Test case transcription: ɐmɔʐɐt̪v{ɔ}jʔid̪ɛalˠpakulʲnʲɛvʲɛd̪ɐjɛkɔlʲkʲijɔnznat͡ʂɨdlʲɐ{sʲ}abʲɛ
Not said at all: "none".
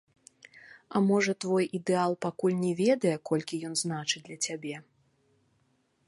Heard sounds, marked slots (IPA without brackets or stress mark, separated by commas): ɔ, t͡sʲ